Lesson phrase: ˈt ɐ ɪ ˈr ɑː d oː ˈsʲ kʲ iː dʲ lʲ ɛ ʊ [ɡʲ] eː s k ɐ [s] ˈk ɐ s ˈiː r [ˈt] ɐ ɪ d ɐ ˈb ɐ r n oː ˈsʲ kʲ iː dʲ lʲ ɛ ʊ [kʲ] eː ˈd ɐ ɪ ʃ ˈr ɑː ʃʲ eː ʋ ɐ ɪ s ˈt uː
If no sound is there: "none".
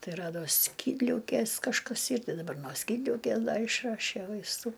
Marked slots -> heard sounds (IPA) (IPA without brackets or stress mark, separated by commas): kʲ, ʃ, t, kʲ